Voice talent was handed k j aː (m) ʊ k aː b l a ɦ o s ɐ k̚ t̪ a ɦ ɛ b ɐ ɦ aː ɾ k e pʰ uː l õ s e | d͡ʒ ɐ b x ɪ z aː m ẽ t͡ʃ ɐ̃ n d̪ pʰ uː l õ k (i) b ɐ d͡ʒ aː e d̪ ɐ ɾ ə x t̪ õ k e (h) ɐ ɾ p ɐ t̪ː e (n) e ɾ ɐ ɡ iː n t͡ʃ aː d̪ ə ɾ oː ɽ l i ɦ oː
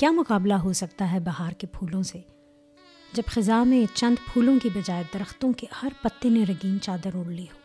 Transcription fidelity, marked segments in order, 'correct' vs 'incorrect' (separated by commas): correct, correct, correct, correct